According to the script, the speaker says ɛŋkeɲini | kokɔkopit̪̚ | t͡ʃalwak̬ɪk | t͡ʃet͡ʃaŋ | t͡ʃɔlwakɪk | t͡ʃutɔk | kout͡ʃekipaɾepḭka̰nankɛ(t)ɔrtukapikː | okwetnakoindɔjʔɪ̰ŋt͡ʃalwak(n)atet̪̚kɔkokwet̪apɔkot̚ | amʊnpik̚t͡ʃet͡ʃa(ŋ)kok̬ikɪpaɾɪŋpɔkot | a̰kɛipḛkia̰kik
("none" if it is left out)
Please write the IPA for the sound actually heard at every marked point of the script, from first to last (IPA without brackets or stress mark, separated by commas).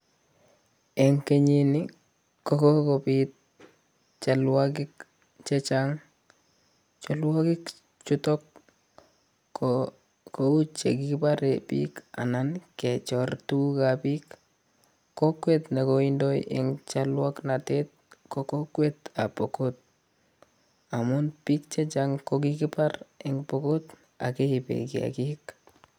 t͡ʃ, n, ŋ